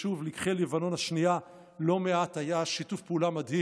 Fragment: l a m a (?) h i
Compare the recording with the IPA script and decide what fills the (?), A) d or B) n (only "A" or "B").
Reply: A